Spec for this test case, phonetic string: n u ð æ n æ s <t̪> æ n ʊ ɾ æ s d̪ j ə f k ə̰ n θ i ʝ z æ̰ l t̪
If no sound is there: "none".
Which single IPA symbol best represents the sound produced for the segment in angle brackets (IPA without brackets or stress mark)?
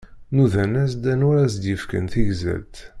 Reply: d̪